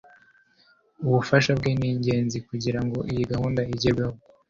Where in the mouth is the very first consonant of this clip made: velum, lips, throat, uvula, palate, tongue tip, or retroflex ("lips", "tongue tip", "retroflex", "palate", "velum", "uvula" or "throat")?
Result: lips